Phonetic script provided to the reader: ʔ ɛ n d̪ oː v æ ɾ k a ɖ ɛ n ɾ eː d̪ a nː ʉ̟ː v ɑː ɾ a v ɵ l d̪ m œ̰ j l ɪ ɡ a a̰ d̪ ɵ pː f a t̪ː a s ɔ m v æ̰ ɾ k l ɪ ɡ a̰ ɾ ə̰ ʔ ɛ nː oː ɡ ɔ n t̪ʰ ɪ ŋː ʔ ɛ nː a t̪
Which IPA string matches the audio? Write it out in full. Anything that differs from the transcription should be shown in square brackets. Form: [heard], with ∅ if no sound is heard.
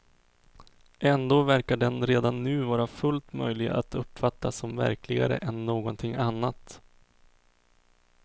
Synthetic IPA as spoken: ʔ ɛ n d̪ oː v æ ɾ k a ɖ ɛ n ɾ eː d̪ a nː ʉ̟ː v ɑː ɾ a [f] ɵ l [t̪] m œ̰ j l ɪ ɡ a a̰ [t̪] ɵ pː f a t̪ː a s ɔ m v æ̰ ɾ k l ɪ ɡ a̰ ɾ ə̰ ʔ ɛ nː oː ɡ ɔ n t̪ʰ ɪ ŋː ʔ [a] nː a t̪

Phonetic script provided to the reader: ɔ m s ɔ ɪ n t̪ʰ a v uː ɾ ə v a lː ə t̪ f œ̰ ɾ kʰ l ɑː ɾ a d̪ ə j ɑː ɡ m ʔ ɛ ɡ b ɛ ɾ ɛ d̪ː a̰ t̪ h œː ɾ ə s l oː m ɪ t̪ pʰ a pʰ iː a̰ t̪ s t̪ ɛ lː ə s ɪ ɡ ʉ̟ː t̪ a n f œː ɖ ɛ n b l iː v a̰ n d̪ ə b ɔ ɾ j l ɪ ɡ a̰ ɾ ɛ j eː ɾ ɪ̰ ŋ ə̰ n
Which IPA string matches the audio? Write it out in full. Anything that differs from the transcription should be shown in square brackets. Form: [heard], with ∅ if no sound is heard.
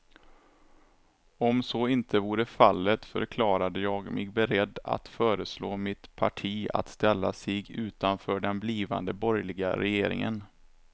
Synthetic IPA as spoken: ɔ m s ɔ ɪ n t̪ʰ [ə] v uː ɾ ə [f] a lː ə t̪ f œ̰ ɾ kʰ l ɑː ɾ a d̪ ə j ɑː ɡ m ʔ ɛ ɡ b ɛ ɾ ɛ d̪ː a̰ t̪ [f] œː ɾ ə s l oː m ɪ t̪ pʰ a [ʈʰ] iː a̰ t̪ s t̪ ɛ lː [a] s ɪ ɡ ʉ̟ː t̪ a n f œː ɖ ɛ n b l iː v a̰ n d̪ ə b ɔ ɾ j l ɪ ɡ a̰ ɾ ɛ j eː ɾ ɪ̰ ŋ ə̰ n

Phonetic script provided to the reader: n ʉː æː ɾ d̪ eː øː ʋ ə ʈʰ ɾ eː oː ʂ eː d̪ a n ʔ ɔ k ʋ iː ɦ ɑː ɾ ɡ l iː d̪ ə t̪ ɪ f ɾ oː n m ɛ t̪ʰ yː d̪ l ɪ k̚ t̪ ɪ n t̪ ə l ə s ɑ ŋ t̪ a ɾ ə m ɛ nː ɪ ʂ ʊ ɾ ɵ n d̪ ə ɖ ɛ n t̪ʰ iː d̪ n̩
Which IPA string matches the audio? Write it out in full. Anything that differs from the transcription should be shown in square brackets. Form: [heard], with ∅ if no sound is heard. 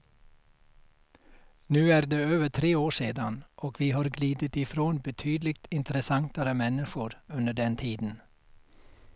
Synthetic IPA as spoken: n ʉː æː ɾ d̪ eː øː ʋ ə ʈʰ ɾ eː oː ʂ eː d̪ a n ʔ ɔ k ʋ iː ɦ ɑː ɾ ɡ l iː d̪ ə t̪ ɪ f ɾ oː n [b] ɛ t̪ʰ yː d̪ l ɪ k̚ t̪ ɪ n t̪ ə [ɾ] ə s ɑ ŋ t̪ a ɾ ə m ɛ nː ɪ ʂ ʊ ɾ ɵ n d̪ ə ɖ ɛ n t̪ʰ iː d̪ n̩

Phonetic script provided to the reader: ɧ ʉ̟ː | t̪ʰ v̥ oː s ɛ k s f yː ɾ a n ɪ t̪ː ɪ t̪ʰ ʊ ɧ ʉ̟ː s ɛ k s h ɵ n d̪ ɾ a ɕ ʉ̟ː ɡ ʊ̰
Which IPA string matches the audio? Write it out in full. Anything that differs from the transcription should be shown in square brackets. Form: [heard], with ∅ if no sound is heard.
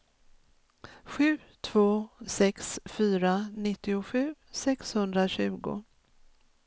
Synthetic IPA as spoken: ɧ ʉ̟ː | t̪ʰ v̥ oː s ɛ k s f yː ɾ a n ɪ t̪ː ɪ [∅] ʊ ɧ ʉ̟ː s ɛ k s h ɵ n d̪ ɾ a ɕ ʉ̟ː ɡ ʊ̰

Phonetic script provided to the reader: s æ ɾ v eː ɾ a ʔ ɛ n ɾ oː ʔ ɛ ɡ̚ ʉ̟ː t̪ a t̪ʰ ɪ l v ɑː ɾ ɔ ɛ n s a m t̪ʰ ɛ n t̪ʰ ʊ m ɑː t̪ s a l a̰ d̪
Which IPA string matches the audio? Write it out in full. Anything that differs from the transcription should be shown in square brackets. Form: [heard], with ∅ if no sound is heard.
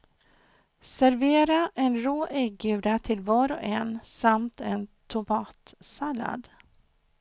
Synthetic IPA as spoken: s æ ɾ v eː ɾ a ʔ ɛ n ɾ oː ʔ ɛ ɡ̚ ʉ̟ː [d̪] a t̪ʰ ɪ l v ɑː ɾ ɔ ɛ n s a m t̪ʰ ɛ n t̪ʰ ʊ m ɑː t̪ s a l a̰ d̪

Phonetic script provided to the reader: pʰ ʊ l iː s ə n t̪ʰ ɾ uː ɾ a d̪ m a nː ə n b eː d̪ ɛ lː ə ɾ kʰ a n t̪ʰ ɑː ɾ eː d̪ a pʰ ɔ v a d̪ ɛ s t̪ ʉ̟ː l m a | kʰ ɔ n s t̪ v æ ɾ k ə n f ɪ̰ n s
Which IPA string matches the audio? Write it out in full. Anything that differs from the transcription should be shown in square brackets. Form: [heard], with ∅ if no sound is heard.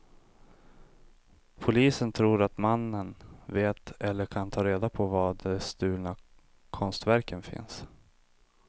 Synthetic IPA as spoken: pʰ ʊ l iː s ə n t̪ʰ ɾ uː ɾ a [t̪] m a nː ə n [v] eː [t̪] ɛ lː ə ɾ kʰ a n t̪ʰ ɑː ɾ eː d̪ a pʰ ɔ v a d̪ ɛ s t̪ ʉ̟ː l [n] a | kʰ ɔ n s t̪ v æ ɾ k ə n f ɪ̰ n s

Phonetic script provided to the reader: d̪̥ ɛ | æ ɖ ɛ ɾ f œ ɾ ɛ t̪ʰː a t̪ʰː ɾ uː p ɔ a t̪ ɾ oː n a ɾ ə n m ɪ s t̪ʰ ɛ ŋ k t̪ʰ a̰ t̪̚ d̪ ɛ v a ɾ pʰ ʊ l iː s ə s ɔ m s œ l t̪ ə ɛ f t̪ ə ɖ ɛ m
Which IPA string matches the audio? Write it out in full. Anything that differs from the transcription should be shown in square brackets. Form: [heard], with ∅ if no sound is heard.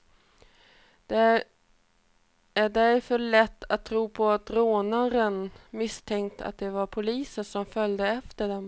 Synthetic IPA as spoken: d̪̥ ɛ | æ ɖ ɛ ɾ f œ [ɭ] ɛ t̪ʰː a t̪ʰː ɾ uː [pʰ] ɔ a t̪ ɾ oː n a ɾ ə n m ɪ s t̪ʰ ɛ ŋ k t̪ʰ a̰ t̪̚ d̪ ɛ v a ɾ pʰ ʊ l iː s ə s ɔ m [f] œ l [d̪] ə ɛ f t̪ ə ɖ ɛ m

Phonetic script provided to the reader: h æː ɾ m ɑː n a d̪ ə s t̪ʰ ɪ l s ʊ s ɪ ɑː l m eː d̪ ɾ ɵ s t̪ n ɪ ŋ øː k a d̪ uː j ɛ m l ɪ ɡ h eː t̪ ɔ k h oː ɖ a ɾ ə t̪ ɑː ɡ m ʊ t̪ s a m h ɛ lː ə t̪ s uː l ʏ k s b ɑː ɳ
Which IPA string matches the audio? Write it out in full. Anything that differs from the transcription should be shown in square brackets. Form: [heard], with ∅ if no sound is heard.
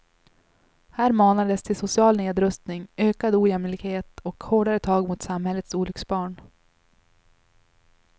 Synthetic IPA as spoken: h æː ɾ m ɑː n a d̪ ə s t̪ʰ ɪ l s ʊ s ɪ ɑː l [n] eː d̪ ɾ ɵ s t̪ n ɪ ŋ øː k a d̪ uː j ɛ m l ɪ ɡ h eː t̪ ɔ k h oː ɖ a ɾ ə [t̪ʰ] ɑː ɡ m ʊ t̪ s a m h ɛ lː ə t̪ s uː l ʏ k s b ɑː ɳ

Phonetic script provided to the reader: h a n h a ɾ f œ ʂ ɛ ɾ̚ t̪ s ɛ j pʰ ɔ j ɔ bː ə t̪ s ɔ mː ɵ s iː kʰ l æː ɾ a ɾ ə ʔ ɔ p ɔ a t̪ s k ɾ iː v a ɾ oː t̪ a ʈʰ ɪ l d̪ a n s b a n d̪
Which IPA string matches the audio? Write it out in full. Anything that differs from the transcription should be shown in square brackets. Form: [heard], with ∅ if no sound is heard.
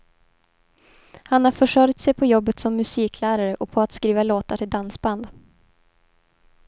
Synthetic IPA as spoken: h a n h a ɾ f œ ʂ [œ] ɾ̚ t̪ s ɛ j pʰ ɔ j ɔ bː ə t̪ s ɔ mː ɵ s iː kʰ l æː ɾ a ɾ ə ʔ ɔ [pʰ] ɔ a t̪ s k ɾ iː v a [l] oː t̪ a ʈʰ ɪ l d̪ a n s b a n d̪

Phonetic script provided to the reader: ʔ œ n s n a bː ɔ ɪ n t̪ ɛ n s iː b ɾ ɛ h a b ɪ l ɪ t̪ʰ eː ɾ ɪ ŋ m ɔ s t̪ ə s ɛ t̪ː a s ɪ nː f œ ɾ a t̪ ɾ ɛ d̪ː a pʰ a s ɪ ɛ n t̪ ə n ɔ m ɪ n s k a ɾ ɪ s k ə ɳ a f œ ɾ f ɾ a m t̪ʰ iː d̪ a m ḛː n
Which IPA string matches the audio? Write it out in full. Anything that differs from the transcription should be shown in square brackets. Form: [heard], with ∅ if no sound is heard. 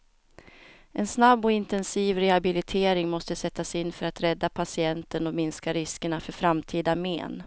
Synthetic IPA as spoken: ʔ [ɛ] n s n a bː ɔ ɪ n t̪ ɛ n s iː [v] ɾ ɛ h a b ɪ l ɪ t̪ʰ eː ɾ ɪ ŋ m ɔ s t̪ ə s ɛ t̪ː a s ɪ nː f œ ɾ a t̪ ɾ ɛ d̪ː a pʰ a s ɪ ɛ n t̪ ə n ɔ m ɪ n s k a ɾ ɪ s k ə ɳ a f œ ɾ f ɾ a m t̪ʰ iː d̪ a m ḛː n

